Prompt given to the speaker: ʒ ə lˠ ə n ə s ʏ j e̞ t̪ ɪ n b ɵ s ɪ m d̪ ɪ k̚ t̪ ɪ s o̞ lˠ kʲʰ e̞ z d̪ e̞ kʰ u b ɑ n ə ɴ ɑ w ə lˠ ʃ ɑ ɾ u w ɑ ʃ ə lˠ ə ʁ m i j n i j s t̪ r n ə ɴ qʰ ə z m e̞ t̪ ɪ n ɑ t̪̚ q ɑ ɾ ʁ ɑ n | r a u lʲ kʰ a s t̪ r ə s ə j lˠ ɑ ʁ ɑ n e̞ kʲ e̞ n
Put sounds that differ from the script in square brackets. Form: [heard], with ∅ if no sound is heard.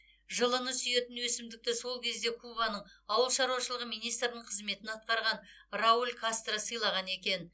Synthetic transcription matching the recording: ʒ ə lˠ ə n ə s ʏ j e̞ t̪ ɪ n [w] ɵ s ɪ m d̪ ɪ k̚ t̪ ɪ s o̞ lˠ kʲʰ e̞ z d̪ e̞ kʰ u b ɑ n ə ɴ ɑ w ə lˠ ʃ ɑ ɾ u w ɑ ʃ ə lˠ ə ʁ m i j n i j s t̪ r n ə ɴ qʰ ə z m e̞ t̪ ɪ n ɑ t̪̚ q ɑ ɾ ʁ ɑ n | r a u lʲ kʰ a s t̪ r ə s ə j lˠ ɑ ʁ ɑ n e̞ kʲ e̞ n